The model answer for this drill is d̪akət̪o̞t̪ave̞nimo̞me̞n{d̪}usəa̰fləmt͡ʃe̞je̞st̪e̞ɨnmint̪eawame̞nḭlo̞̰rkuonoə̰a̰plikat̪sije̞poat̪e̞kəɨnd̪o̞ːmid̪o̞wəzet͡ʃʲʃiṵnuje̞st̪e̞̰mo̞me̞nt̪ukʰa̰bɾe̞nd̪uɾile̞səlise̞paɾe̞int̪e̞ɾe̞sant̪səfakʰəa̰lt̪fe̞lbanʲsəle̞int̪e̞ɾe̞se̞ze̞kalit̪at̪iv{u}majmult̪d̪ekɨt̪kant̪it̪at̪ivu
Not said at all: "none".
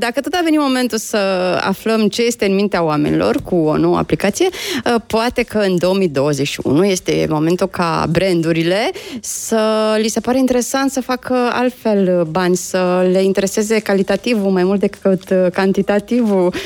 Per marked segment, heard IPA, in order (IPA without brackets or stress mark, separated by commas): t̪, u